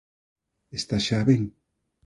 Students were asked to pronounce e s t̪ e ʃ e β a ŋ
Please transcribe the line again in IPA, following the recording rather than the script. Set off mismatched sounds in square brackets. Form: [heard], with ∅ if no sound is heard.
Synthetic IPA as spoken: e s t̪ [a] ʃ [a] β [e] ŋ